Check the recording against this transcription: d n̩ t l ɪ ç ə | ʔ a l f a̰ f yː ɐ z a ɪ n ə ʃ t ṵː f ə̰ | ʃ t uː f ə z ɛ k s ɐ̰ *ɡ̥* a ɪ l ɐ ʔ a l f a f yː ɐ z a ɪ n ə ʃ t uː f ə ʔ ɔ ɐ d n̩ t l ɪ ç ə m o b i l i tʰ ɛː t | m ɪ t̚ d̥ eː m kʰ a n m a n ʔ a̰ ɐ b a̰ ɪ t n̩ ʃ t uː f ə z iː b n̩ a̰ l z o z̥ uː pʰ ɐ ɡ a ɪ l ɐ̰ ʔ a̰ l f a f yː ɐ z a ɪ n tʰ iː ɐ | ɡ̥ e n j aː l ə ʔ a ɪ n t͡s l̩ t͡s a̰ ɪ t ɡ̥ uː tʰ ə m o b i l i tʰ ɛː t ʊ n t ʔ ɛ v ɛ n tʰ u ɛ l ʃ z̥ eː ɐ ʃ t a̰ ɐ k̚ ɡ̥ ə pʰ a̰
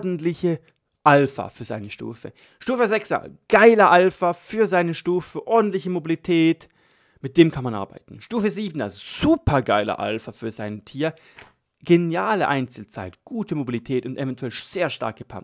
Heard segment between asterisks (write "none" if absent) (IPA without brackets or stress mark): ɡ̥